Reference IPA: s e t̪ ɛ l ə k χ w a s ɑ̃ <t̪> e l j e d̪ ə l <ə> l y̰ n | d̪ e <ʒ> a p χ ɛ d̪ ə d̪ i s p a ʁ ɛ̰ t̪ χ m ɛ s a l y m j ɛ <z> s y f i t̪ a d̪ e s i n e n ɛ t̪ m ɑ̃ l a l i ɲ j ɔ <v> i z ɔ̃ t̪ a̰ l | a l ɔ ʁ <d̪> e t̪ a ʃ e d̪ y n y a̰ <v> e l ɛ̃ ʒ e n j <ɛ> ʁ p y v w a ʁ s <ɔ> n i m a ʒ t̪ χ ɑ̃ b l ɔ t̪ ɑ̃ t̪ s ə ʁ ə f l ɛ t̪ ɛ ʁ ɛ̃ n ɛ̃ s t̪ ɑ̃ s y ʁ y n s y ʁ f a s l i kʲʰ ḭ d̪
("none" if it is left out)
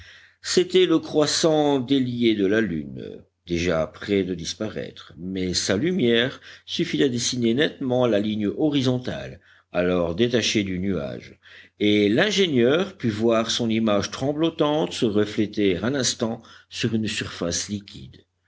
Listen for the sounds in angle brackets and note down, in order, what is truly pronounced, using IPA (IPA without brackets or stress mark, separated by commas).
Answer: d̪, a, ʒ, ʁ, ʁ, d̪, ʒ, œ, ɔ̃